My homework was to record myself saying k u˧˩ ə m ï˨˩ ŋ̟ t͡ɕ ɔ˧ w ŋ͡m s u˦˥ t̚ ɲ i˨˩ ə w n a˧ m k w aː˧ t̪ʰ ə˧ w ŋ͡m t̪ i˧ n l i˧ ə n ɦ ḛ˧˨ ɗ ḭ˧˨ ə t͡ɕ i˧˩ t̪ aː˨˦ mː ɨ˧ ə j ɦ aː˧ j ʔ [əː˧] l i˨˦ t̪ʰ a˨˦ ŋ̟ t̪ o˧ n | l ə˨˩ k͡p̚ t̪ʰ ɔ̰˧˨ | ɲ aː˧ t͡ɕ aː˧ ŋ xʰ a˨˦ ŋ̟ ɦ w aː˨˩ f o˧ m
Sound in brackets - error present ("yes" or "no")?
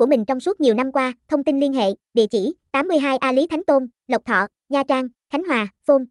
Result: yes